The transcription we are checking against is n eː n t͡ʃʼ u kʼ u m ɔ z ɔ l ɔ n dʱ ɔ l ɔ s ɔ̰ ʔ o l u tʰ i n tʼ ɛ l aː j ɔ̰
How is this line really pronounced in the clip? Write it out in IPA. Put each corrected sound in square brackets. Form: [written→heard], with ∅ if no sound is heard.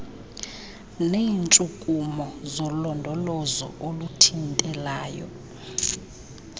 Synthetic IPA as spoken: n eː n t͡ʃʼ u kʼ u m ɔ z ɔ l ɔ n dʱ ɔ l ɔ [s→z] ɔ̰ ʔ o l u tʰ i n tʼ ɛ l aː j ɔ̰